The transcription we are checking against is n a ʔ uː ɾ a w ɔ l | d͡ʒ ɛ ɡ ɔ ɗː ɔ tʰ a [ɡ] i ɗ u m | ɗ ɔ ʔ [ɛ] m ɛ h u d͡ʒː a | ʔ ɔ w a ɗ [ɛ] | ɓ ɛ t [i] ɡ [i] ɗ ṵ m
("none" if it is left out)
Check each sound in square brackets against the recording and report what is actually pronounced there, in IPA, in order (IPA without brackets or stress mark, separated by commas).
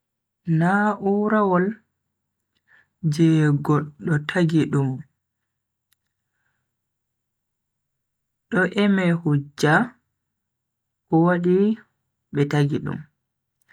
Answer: ɡ, ɛ, i, a, i